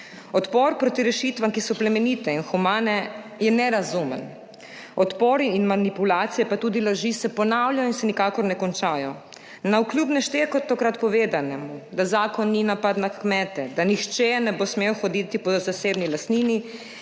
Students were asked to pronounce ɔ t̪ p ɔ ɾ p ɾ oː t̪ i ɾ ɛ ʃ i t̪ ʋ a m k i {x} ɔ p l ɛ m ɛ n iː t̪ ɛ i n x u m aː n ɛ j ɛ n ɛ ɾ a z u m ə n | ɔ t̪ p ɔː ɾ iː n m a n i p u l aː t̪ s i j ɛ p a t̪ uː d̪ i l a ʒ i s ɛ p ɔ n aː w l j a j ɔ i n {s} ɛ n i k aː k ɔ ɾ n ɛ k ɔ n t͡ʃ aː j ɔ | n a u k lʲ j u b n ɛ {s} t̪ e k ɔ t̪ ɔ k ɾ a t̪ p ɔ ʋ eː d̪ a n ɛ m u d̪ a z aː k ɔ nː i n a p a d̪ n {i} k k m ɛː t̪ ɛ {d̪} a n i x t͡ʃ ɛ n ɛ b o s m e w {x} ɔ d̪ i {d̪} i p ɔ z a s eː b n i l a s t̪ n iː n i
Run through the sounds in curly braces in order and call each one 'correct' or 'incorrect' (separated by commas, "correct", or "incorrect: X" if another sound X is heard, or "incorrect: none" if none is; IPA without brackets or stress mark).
incorrect: s, correct, incorrect: ʃ, incorrect: a, correct, correct, incorrect: t̪